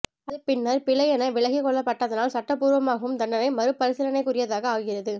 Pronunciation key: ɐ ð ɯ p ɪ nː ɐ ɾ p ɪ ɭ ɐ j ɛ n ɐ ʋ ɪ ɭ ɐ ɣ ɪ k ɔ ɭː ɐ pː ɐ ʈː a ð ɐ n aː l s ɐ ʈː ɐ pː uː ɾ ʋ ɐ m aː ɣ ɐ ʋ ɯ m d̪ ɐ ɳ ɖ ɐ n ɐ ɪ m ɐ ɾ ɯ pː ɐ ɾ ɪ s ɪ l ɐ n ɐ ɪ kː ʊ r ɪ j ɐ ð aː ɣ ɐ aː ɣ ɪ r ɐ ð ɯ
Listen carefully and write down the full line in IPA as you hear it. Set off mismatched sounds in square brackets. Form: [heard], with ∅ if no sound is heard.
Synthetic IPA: ɐ ð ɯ p ɪ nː ɐ ɾ p ɪ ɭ ɐ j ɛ n ɐ ʋ ɪ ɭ ɐ ɣ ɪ k ɔ ɭː ɐ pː ɐ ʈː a ð ɐ n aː l s ɐ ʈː ɐ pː uː ɾ ʋ ɐ m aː ɣ ɐ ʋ ɯ m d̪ ɐ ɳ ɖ ɐ n ɐ ɪ m ɐ ɾ ɯ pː ɐ ɾ ɪ s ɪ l ɐ n ɐ ɪ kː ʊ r ɪ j ɐ ð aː ɣ ɐ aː ɣ ɪ r ɐ ð ɯ